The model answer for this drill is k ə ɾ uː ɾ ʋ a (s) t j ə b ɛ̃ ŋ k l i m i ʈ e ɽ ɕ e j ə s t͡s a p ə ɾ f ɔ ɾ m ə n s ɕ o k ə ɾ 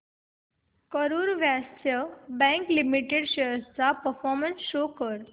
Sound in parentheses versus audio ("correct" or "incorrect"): correct